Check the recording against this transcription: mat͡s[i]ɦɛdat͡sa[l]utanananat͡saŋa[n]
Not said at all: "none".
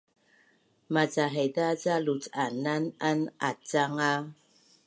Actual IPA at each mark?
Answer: a, l, none

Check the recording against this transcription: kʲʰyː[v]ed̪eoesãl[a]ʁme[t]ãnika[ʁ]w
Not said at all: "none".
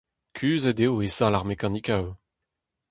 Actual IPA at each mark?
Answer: z, a, k, none

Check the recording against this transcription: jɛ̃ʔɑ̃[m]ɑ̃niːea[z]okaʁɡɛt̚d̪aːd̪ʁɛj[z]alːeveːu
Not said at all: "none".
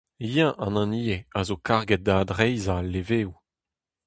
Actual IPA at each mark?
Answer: n, z, z

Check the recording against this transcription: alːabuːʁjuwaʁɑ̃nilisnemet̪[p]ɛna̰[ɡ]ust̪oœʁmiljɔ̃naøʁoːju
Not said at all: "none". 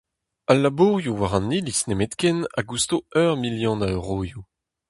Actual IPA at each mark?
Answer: k, ɡ

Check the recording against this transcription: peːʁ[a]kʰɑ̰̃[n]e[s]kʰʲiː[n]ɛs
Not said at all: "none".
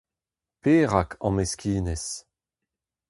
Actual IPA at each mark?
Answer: a, m, s, n

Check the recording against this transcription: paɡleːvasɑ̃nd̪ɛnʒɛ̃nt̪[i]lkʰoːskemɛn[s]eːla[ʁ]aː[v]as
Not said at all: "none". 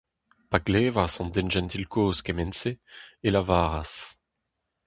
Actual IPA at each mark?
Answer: i, s, v, ʁ

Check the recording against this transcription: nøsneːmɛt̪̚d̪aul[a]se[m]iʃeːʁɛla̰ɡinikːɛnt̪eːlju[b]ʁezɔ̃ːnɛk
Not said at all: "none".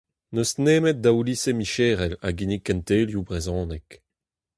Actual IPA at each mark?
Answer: i, m, b

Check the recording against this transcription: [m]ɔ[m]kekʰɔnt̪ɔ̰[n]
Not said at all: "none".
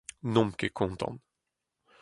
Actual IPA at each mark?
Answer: n, m, n

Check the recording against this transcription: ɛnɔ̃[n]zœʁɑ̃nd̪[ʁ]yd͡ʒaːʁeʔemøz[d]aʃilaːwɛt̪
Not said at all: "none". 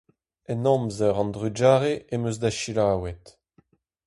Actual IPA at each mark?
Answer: m, ʁ, d

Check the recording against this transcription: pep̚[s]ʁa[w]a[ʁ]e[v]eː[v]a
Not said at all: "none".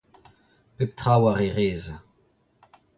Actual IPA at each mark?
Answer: t, w, ʁ, ʁ, z

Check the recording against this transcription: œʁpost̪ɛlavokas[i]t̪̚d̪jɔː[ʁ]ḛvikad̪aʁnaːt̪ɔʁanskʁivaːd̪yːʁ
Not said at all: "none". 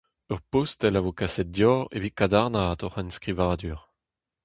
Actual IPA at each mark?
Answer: ɛ, ʁ

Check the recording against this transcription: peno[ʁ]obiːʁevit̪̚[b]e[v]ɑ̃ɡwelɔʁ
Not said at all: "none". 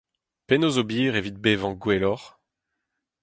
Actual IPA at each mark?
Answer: z, b, v

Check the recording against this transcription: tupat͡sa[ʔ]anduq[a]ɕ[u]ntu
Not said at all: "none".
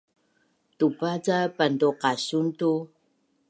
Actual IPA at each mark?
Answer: p, a, u

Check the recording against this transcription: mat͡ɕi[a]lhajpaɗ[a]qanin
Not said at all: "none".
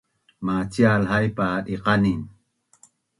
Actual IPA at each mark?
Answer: a, i

